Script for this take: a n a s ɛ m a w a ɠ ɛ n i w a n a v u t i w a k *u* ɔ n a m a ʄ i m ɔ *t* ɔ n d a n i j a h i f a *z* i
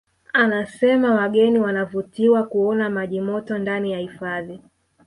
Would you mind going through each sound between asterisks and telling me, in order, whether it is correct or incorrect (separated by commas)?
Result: correct, correct, incorrect